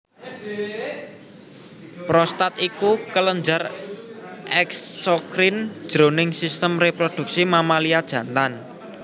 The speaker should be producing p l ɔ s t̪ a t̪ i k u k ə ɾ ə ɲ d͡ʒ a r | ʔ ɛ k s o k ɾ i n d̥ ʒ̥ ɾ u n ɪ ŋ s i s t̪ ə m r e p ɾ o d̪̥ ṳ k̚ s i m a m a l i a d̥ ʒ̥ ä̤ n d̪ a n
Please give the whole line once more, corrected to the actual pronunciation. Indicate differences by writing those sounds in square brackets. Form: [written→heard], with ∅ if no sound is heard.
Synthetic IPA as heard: p [l→ɾ] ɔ s t̪ a t̪ i k u k ə [ɾ→l] ə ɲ d͡ʒ a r | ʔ ɛ k s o k ɾ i n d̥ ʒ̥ ɾ [u→o] n ɪ ŋ s i s t̪ ə m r e p ɾ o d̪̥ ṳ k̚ s i m a m a l i a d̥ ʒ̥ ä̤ n [d̪→t̪] a n